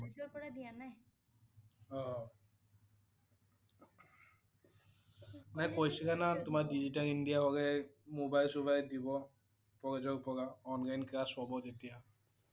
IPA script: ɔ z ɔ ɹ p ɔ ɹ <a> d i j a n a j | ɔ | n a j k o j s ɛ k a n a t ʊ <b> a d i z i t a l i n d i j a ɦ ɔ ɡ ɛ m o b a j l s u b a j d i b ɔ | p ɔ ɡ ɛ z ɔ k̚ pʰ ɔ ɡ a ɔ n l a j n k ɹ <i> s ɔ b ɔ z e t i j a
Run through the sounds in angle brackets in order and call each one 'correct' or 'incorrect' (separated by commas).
correct, incorrect, incorrect